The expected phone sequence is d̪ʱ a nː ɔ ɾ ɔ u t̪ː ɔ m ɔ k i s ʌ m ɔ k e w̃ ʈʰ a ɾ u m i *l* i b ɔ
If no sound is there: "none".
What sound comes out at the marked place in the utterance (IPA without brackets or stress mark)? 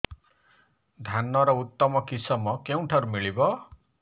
ɭ